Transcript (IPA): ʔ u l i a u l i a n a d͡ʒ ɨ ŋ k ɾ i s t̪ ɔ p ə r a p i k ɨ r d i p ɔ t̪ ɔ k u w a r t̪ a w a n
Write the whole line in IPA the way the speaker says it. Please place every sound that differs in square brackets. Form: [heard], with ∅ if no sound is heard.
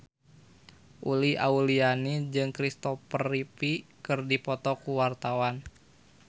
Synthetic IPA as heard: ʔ u l i a u l i a n [i] d͡ʒ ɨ ŋ k ɾ i s t̪ ɔ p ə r [i] p i k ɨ r d i p ɔ t̪ ɔ k u w a r t̪ a w a n

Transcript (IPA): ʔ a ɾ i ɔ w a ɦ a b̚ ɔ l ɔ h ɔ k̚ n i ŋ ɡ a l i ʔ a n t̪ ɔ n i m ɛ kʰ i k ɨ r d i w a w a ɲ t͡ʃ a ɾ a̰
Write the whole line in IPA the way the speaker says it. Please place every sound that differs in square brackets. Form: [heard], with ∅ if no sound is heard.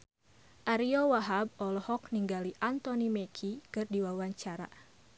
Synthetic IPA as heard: ʔ a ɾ i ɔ w a ɦ a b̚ ɔ l ɔ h ɔ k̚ n i ŋ ɡ a l i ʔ a n t̪ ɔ n i m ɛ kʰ i k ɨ r d i w a w a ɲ t͡ʃ a ɾ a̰

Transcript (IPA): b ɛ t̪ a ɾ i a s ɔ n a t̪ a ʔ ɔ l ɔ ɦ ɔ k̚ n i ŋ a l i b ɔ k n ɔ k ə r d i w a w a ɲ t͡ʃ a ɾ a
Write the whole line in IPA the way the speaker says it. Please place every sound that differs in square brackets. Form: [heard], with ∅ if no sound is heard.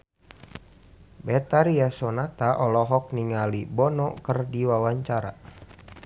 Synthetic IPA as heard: b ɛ t̪ a ɾ i a s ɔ n a t̪ a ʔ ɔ l ɔ ɦ ɔ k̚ n i ŋ a l i b ɔ [∅] n ɔ k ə r d i w a w a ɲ t͡ʃ a ɾ a

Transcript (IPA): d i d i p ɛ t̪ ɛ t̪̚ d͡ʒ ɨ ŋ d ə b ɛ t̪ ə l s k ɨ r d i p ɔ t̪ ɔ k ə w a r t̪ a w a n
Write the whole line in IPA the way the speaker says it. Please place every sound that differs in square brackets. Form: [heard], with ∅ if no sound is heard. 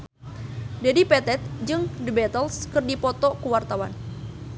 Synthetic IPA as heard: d [a] d i p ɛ t̪ ɛ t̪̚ d͡ʒ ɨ ŋ d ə b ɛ t̪ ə l s k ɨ r d i p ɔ t̪ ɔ k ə w a r t̪ a w a n

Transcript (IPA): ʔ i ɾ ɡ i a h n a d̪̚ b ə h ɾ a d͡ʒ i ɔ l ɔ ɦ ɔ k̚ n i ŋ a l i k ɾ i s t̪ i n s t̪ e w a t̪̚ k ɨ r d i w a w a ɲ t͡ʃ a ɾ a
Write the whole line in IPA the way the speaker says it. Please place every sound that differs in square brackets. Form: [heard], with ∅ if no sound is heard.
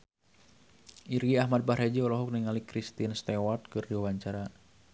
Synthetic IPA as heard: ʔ i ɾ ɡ i a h [m] a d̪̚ b [a] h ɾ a d͡ʒ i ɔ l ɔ ɦ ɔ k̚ n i ŋ a l i k ɾ i s t̪ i n s t̪ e w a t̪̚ k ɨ r d i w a w a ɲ t͡ʃ a ɾ a

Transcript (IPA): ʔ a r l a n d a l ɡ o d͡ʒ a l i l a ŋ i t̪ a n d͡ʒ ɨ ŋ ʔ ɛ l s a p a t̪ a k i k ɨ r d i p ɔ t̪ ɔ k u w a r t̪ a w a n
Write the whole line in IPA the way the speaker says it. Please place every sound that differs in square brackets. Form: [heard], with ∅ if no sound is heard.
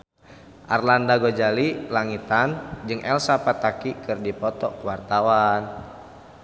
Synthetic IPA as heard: ʔ a r l a n d a [∅] ɡ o d͡ʒ a l i l a ŋ i t̪ a n d͡ʒ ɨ ŋ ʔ ɛ l s a p a t̪ a k i k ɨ r d i p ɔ t̪ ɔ k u w a r t̪ a w a n

